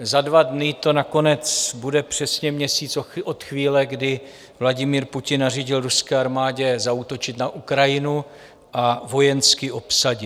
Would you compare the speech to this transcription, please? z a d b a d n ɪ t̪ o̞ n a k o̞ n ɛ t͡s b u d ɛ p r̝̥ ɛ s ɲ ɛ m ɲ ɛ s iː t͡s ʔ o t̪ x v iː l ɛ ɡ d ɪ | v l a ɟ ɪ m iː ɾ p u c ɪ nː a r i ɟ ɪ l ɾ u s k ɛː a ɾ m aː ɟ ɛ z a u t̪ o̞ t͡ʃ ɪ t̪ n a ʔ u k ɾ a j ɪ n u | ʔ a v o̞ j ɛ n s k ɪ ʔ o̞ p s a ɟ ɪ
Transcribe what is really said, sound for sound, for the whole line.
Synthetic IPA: z a d v a d n ɪ t̪ o̞ n a k o̞ n ɛ t͡s b u d ɛ p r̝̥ ɛ s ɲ ɛ m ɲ ɛ s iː t͡s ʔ o t̪ x v iː l ɛ ɡ d ɪ | v l a ɟ ɪ m iː ɾ p u c ɪ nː a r i ɟ ɪ l ɾ u s k ɛː a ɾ m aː ɟ ɛ z a u t̪ o̞ t͡ʃ ɪ t̪ n a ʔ u k ɾ a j ɪ n u | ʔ a v o̞ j ɛ n s k ɪ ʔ o̞ p s a ɟ ɪ